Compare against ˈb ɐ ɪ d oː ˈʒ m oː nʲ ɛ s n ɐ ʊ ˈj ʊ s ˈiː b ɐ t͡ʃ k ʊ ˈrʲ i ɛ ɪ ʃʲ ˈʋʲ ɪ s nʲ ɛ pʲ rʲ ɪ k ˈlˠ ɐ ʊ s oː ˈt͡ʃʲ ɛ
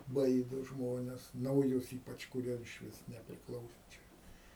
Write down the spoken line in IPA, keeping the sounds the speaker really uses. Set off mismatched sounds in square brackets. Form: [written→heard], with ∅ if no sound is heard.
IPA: ˈb ɐ ɪ d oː ˈʒ m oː nʲ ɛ s n ɐ ʊ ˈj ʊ s ˈiː [b→p] ɐ t͡ʃ k ʊ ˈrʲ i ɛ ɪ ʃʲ ˈʋʲ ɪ s nʲ ɛ pʲ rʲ ɪ k ˈlˠ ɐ ʊ s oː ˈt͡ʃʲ ɛ